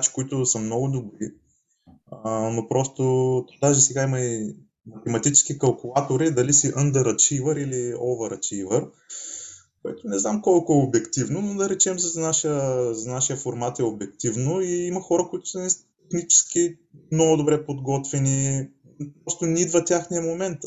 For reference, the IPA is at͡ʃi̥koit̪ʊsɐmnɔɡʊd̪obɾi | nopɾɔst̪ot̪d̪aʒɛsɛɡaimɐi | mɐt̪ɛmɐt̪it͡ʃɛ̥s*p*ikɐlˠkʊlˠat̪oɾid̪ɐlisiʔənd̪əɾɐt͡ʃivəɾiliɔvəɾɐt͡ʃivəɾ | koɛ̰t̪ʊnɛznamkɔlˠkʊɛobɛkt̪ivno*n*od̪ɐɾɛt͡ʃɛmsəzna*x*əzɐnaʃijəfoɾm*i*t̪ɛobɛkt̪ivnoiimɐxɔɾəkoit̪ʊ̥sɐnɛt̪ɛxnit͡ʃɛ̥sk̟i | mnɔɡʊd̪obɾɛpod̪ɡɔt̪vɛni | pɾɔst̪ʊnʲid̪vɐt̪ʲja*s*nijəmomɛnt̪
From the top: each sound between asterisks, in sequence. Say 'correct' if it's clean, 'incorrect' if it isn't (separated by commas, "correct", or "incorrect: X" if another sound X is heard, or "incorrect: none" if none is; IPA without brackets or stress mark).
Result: incorrect: k, correct, incorrect: ʃ, incorrect: a, incorrect: x